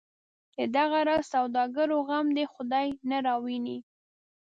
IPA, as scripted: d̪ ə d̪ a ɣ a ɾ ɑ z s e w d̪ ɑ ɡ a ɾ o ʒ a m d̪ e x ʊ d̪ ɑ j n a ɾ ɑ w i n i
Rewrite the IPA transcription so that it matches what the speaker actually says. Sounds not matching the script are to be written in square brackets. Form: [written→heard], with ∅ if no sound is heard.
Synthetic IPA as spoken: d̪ ə d̪ a ɣ a ɾ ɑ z s [e→a] w d̪ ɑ ɡ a ɾ o [ʒ→ɣ] a m d̪ e x ʊ d̪ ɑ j n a ɾ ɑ w i n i